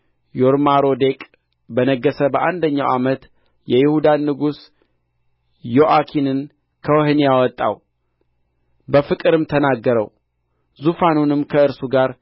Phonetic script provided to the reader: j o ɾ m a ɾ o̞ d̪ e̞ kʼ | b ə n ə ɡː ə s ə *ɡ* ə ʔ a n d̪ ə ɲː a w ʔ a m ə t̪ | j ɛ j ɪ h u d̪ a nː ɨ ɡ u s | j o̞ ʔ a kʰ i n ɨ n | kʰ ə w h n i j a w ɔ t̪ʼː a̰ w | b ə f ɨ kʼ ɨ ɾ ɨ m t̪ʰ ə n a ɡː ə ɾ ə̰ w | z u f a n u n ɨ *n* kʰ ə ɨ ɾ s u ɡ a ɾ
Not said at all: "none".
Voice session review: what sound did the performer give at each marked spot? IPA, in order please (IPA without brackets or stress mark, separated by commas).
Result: b, m